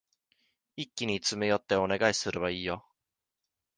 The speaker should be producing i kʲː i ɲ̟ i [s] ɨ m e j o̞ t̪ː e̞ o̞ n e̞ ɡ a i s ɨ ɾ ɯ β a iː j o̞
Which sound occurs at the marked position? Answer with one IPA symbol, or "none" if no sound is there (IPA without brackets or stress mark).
t͡s